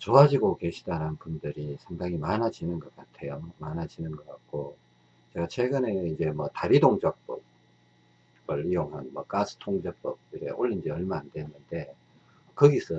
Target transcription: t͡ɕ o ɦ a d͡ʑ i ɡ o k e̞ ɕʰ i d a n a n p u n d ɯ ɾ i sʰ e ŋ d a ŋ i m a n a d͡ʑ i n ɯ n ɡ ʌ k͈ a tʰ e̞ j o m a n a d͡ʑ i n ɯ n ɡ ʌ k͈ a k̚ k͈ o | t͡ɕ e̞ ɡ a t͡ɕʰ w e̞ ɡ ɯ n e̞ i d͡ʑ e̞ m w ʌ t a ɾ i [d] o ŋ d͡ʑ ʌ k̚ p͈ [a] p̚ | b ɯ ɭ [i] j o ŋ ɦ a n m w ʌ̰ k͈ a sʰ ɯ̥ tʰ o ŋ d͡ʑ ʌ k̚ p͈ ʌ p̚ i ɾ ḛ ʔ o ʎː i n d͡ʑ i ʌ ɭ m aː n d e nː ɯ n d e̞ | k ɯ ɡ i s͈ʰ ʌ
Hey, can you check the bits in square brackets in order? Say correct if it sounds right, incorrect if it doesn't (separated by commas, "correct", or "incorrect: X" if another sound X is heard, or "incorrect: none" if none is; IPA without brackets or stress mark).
correct, incorrect: ʌ, correct